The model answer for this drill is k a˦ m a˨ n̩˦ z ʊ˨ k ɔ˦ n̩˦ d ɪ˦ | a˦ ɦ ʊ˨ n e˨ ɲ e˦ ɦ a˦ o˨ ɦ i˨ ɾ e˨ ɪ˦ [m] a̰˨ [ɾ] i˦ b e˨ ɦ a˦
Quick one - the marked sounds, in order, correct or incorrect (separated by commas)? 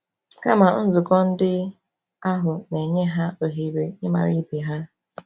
correct, correct